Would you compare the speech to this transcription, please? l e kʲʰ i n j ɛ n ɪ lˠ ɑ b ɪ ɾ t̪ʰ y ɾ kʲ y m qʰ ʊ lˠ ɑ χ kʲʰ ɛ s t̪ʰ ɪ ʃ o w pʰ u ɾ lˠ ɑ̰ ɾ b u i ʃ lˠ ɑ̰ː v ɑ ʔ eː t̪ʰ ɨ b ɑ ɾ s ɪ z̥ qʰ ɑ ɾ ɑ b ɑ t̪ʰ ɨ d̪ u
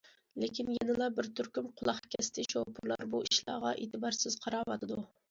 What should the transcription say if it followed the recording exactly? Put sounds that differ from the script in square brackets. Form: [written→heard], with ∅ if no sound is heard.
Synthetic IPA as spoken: l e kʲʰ i n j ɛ n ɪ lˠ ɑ b ɪ ɾ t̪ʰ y ɾ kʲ y m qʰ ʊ lˠ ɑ χ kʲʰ ɛ s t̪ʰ ɪ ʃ o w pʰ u ɾ lˠ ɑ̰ ɾ b u i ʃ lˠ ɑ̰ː [v→ʁ] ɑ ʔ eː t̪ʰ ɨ b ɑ ɾ s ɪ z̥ qʰ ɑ ɾ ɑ [b→w] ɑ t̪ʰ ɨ d̪ u